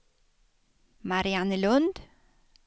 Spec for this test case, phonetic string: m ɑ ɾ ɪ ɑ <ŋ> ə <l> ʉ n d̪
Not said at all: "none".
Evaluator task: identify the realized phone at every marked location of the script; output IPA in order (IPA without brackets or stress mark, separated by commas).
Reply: n, l